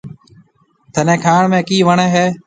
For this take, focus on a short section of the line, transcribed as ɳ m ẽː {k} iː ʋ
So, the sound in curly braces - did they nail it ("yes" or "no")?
yes